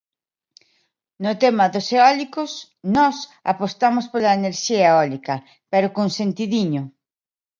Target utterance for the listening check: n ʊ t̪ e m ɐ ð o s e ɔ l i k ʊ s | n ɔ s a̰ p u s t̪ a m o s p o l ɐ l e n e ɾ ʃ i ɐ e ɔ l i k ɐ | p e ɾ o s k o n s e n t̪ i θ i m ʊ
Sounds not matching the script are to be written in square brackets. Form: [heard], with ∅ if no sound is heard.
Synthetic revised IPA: n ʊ t̪ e m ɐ ð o s e ɔ l i k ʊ s | n ɔ s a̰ p [o] s t̪ a m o s p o l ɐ [∅] e n e ɾ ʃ i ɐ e ɔ l i k ɐ | p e ɾ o [∅] k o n s e n t̪ i [ð] i [ɲ] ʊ